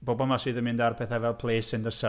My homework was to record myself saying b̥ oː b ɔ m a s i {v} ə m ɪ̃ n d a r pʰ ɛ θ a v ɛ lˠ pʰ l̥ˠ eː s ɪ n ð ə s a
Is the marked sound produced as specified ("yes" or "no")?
no